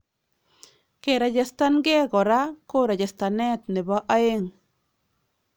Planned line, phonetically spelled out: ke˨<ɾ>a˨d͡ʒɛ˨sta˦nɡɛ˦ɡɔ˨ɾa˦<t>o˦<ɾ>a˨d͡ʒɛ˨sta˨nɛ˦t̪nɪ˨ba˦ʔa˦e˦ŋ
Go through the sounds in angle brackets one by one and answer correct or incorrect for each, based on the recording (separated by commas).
correct, incorrect, correct